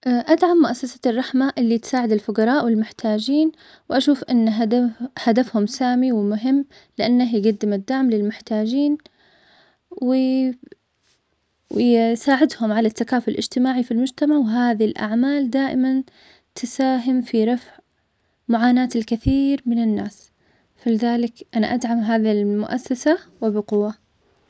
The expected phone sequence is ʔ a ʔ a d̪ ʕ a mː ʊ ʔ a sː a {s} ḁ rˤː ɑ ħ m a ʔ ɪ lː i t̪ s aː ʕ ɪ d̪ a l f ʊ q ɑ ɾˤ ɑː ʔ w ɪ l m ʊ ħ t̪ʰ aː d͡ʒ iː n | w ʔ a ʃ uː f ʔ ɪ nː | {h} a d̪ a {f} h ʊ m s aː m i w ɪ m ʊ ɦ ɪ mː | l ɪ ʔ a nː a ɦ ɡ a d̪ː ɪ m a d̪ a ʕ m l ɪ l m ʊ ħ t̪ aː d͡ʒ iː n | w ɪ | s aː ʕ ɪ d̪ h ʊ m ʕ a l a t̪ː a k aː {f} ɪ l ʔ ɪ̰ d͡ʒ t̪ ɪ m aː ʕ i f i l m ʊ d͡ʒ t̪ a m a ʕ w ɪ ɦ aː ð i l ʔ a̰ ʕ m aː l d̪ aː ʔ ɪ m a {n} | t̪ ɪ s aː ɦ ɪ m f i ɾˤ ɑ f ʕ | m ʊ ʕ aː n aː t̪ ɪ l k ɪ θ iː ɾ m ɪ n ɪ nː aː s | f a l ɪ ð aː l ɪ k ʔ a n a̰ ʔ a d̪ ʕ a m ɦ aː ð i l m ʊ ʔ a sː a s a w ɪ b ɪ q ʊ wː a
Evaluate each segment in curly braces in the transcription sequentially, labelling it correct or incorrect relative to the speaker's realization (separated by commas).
correct, correct, correct, correct, correct